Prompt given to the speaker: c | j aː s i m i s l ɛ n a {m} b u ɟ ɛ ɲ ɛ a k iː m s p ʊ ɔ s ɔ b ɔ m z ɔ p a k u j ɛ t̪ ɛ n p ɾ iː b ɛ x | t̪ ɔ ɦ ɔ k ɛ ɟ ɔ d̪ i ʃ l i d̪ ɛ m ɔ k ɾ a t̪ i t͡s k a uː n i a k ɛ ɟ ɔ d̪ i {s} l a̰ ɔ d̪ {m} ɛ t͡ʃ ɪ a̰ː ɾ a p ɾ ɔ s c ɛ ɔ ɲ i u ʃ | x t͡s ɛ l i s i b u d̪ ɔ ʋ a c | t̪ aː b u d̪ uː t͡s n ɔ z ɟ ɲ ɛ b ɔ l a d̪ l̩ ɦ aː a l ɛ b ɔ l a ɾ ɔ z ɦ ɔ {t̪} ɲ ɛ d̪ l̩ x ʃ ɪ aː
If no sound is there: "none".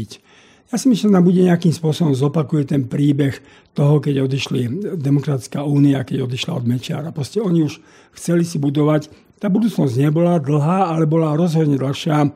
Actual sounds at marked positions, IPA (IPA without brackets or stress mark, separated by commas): m, ʃ, m, d̪